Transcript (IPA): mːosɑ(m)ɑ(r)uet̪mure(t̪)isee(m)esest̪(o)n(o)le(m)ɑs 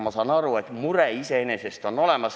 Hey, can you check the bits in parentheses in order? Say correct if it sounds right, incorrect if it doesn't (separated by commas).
incorrect, correct, incorrect, incorrect, correct, correct, correct